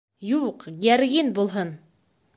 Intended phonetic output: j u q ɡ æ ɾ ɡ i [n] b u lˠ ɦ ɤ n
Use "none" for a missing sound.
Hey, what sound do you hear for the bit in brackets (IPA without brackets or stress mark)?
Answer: n